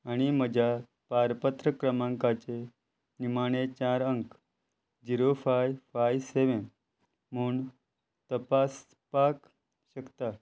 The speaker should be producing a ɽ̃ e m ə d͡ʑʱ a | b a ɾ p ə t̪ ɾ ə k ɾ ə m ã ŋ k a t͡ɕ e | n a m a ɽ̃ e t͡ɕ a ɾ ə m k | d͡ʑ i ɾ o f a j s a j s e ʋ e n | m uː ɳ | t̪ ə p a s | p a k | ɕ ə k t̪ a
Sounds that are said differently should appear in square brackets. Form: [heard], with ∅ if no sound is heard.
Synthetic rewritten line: a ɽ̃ [i] m ə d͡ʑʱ a | [p] a ɾ p ə t̪ ɾ ə k ɾ ə m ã ŋ k a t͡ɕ e | n [i] m a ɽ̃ e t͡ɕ a ɾ ə [ŋ] k | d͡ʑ i ɾ o f a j [f] a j s e ʋ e n | m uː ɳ | t̪ ə p a s | p a k | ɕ ə k t̪ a